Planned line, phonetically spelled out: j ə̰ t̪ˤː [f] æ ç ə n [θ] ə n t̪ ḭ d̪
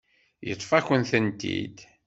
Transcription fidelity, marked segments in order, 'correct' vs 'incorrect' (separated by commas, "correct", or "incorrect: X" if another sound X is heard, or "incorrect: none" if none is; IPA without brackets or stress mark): correct, correct